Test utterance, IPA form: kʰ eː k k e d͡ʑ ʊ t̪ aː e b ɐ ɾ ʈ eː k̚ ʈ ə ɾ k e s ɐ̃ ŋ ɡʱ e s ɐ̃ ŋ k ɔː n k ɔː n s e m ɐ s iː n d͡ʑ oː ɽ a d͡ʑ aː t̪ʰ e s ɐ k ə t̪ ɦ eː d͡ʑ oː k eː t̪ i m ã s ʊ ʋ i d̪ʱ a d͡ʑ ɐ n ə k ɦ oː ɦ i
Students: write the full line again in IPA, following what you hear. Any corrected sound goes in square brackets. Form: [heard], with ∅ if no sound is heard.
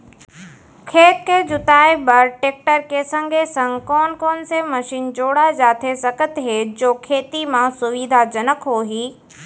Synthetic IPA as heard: kʰ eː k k e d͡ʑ ʊ t̪ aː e b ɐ ɾ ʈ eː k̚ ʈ ə ɾ k e s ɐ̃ ŋ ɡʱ e s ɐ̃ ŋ k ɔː n k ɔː n s e m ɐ [ʃ] iː n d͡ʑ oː ɽ a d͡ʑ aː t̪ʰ e s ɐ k ə t̪ ɦ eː d͡ʑ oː [kʰ] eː t̪ i m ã s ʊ ʋ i d̪ʱ a d͡ʑ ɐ n ə k ɦ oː ɦ [iː]